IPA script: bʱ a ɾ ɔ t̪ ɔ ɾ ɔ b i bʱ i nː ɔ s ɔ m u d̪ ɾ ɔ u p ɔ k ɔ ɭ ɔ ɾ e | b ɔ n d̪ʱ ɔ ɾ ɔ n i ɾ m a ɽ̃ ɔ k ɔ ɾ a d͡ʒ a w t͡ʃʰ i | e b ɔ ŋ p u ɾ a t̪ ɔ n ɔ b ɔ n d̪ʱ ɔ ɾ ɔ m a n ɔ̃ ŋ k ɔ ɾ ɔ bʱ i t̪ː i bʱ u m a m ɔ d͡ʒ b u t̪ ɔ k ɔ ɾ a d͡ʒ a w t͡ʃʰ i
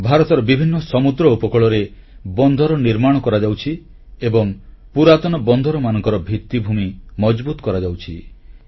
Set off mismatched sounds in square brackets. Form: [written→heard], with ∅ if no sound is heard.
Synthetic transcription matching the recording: bʱ a ɾ ɔ t̪ ɔ ɾ ɔ b i bʱ i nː ɔ s ɔ m u d̪ ɾ ɔ u p ɔ k ɔ ɭ ɔ ɾ e | b ɔ n d̪ʱ ɔ ɾ ɔ n i ɾ m a ɽ̃ ɔ k ɔ ɾ a d͡ʒ a w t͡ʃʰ i | e b ɔ ŋ p u ɾ a t̪ ɔ n ɔ b ɔ n d̪ʱ ɔ ɾ ɔ m a n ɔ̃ ŋ k ɔ ɾ ɔ bʱ i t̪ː i bʱ u m [a→i] m ɔ d͡ʒ b u t̪ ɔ k ɔ ɾ a d͡ʒ a w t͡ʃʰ i